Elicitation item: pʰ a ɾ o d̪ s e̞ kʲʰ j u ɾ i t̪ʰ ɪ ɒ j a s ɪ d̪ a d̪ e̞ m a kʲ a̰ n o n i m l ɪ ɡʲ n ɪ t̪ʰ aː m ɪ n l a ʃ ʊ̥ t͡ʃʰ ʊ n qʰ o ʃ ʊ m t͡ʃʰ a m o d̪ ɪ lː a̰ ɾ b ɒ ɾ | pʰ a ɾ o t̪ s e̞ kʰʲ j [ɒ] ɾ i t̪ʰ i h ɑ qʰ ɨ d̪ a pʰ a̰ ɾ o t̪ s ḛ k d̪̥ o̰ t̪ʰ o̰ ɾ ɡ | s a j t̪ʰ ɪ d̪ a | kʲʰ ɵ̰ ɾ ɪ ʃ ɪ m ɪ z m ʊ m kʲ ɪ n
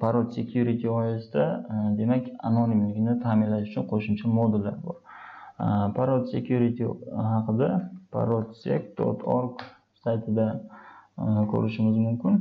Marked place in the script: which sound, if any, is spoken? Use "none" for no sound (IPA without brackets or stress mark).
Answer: u